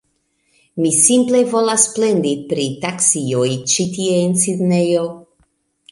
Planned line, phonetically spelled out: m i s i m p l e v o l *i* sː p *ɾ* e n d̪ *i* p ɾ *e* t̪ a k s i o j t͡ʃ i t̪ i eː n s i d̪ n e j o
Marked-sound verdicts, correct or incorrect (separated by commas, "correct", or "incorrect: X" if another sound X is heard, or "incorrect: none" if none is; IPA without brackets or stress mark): incorrect: a, incorrect: l, correct, incorrect: i